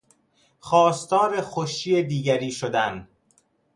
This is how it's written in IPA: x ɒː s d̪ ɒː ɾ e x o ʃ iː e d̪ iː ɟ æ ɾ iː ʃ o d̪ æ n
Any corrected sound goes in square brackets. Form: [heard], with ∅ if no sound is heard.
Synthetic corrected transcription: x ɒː s [t̪] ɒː ɾ e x o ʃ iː e d̪ iː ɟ æ ɾ iː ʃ o d̪ æ n